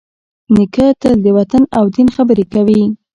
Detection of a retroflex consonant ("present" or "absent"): absent